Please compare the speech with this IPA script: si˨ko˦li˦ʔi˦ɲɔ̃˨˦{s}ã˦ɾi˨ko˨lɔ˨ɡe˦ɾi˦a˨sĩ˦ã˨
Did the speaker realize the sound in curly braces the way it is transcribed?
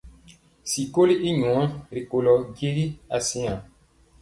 no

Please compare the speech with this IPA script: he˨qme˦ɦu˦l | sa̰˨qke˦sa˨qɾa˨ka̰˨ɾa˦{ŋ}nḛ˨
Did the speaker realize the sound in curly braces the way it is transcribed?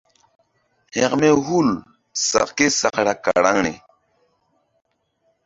yes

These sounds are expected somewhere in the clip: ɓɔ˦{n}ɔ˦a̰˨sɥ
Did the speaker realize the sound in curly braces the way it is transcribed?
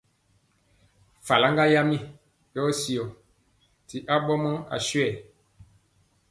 no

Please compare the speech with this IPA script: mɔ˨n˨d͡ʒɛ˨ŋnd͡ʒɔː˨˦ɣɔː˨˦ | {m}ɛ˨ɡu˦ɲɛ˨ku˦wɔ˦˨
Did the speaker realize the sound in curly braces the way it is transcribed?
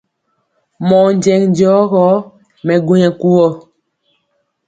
yes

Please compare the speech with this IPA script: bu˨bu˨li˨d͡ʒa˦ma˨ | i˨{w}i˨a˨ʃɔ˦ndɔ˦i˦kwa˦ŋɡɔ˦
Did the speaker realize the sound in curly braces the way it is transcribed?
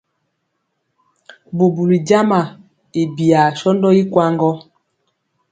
no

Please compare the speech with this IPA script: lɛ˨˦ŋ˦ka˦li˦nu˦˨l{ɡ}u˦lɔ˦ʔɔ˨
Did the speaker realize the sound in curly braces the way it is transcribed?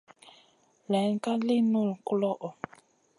no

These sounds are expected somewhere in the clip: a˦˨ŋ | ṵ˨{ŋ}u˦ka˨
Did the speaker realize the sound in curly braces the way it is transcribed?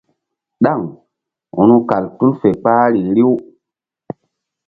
no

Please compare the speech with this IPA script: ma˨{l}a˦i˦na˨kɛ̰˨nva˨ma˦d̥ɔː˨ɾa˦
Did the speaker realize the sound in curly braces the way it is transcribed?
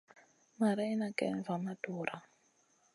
no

